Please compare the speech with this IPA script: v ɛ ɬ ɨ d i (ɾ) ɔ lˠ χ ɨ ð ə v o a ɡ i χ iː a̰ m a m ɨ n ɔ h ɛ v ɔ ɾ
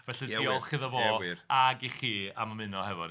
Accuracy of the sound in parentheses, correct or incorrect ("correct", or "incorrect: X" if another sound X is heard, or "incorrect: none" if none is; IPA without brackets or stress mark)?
incorrect: none